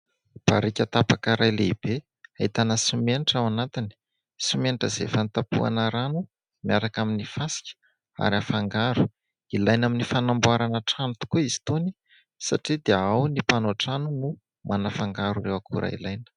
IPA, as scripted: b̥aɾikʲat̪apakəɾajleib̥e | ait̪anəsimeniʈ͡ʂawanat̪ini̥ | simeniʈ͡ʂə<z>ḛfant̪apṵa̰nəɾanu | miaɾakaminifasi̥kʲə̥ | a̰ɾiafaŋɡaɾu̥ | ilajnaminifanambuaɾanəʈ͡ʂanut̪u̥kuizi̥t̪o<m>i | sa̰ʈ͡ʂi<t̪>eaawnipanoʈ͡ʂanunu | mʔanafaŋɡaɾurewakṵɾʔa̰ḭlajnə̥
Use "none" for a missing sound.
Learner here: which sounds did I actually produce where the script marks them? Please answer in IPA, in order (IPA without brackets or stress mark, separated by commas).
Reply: z, n, d̪